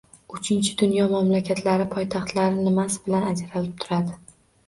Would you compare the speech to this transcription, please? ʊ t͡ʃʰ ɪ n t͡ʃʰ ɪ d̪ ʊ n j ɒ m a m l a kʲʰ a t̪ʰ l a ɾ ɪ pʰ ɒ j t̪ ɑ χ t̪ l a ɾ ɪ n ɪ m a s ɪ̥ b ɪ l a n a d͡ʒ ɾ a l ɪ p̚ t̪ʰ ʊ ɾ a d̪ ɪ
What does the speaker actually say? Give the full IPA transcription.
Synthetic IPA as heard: ʊ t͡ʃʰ ɪ n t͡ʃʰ ɪ d̪ ʊ n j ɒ m a m l a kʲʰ a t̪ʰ l a ɾ ɪ pʰ ɒ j t̪ʰ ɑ χ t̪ l a ɾ ɪ n ɪ m a s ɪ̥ b ɪ l a n a d͡ʒ ɾ a l ɪ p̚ t̪ʰ ʊ ɾ a d̪ ɪ